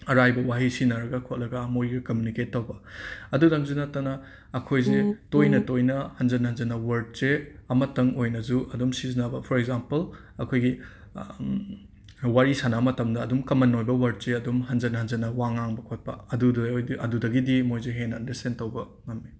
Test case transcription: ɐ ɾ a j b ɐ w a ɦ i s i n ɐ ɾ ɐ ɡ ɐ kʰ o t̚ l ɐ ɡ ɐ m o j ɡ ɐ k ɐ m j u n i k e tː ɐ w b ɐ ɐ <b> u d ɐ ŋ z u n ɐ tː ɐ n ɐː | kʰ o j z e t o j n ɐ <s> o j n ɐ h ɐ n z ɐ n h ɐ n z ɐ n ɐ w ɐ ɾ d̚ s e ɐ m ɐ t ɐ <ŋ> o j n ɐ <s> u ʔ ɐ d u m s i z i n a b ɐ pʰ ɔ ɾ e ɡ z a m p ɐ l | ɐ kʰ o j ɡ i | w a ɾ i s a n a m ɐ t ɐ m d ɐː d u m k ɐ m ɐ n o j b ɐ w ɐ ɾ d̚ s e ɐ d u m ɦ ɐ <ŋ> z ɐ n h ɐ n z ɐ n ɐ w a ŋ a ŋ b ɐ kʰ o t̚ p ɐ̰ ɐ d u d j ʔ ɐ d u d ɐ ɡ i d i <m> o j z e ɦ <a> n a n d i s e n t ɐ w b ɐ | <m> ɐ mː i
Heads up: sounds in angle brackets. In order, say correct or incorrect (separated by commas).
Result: incorrect, incorrect, correct, incorrect, incorrect, correct, incorrect, incorrect